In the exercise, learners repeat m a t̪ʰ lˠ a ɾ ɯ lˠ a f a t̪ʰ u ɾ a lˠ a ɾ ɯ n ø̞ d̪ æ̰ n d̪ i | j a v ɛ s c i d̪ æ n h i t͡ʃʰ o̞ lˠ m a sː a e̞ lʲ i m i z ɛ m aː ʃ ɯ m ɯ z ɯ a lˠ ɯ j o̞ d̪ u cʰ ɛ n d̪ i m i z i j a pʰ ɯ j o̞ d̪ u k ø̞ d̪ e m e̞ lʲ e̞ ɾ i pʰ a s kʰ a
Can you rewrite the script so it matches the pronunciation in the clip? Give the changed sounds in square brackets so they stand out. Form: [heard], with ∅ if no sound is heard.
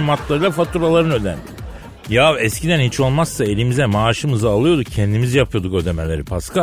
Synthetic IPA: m a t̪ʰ lˠ a ɾ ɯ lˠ a f a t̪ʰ u ɾ a lˠ a ɾ ɯ n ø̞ d̪ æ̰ n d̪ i | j a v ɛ s c i d̪ æ n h i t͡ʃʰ o̞ lˠ m a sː a e̞ lʲ i m i z ɛ m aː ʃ ɯ m ɯ z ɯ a lˠ ɯ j o̞ d̪ u cʰ ɛ n d̪ i m i z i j a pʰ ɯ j o̞ d̪ u k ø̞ d̪ e m e̞ lʲ e̞ ɾ i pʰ a s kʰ a